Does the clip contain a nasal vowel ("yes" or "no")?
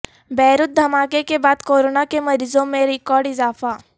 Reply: yes